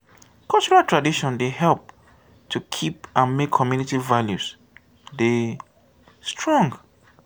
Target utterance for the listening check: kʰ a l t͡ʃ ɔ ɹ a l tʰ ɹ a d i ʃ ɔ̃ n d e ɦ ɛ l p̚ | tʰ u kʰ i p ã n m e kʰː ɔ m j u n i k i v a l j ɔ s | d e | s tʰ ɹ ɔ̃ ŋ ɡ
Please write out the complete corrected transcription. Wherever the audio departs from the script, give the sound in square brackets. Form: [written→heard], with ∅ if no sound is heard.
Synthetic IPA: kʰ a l t͡ʃ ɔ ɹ a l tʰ ɹ a d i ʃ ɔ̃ n d e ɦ ɛ l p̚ | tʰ u kʰ i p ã n m e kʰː ɔ m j u n i [k→t] i v a l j [ɔ→u] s | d e | s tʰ ɹ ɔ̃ ŋ ɡ